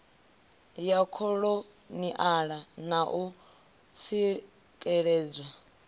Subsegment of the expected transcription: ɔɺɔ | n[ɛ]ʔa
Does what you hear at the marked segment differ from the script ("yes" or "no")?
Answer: yes